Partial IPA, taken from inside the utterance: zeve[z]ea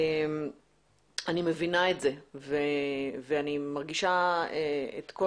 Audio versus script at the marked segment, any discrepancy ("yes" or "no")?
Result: yes